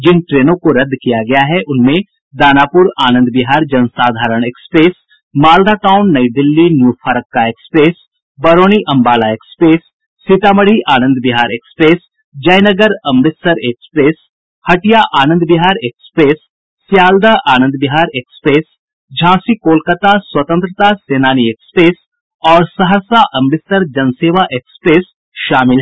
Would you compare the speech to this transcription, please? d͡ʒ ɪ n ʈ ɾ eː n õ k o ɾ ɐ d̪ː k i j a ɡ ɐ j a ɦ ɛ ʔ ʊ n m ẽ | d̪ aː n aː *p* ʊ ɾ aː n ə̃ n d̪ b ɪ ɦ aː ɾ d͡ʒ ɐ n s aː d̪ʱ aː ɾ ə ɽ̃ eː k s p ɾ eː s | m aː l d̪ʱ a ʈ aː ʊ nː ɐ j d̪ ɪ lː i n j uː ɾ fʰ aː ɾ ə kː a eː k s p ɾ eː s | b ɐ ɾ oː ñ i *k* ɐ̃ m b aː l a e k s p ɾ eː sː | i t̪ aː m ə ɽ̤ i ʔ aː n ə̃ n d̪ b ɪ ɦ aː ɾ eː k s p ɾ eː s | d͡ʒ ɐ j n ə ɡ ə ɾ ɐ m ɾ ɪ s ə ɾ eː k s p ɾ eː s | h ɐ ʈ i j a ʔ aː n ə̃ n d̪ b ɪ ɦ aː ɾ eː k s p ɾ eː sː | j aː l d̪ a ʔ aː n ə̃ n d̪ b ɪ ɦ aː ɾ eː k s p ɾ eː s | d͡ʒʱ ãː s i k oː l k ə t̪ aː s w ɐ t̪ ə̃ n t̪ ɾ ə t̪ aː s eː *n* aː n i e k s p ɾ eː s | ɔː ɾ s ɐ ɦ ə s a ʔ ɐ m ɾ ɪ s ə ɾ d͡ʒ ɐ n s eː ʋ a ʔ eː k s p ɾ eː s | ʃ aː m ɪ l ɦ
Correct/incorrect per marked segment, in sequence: correct, incorrect: ʔ, correct

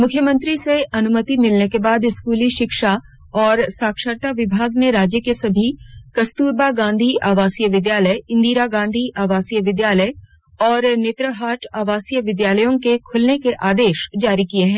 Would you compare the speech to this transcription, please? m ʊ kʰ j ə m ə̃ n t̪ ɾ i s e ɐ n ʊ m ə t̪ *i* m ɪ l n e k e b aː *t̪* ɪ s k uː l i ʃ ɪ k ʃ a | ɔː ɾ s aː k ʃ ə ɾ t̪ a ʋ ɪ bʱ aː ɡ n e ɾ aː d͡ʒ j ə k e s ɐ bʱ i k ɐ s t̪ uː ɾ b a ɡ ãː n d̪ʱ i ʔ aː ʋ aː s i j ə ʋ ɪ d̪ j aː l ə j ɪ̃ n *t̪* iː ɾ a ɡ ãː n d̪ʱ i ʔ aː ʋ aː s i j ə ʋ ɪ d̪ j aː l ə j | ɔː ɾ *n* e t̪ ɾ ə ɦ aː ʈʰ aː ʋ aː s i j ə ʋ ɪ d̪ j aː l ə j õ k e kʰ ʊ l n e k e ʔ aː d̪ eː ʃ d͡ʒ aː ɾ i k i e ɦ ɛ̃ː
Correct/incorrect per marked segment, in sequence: correct, incorrect: d̪, incorrect: d̪, correct

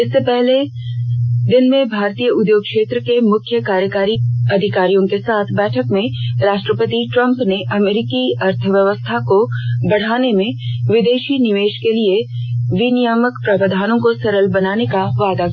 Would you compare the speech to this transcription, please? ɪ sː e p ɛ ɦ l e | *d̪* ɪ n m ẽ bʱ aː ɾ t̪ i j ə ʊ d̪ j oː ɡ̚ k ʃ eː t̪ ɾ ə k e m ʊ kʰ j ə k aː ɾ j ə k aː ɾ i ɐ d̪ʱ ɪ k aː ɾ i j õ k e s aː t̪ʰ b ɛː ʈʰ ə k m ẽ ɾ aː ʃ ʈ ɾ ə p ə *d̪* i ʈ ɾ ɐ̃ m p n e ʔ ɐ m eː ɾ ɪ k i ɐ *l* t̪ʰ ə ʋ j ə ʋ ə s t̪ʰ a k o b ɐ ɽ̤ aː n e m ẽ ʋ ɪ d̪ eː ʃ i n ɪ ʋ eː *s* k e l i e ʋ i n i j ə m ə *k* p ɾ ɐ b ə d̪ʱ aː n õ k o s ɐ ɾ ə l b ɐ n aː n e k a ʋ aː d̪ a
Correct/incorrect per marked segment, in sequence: correct, incorrect: t̪, incorrect: ɾ, incorrect: ʃ, correct

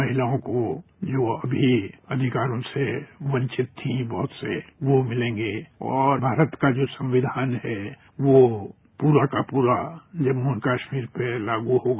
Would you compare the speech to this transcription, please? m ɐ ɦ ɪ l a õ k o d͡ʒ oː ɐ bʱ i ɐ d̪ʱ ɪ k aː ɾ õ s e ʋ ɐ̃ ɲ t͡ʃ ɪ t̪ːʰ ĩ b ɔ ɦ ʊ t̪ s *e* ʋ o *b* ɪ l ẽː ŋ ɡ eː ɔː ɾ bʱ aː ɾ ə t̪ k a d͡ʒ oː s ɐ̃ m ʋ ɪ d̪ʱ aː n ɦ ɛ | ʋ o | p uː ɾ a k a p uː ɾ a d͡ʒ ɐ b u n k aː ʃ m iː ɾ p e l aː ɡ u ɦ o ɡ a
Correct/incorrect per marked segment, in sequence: correct, incorrect: m

